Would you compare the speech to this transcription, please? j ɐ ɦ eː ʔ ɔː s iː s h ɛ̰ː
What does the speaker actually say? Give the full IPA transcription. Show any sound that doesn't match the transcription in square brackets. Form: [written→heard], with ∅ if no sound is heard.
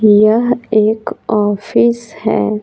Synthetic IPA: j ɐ ɦ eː [ʔ→k] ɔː [s→f] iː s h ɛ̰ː